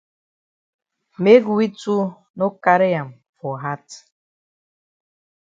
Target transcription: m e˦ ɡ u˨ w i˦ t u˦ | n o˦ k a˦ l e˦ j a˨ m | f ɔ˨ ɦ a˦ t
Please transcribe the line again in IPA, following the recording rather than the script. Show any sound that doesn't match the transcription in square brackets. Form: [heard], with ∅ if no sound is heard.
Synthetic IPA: m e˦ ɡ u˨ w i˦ t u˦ | n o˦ k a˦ [ɾ] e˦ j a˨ m | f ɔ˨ ɦ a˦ t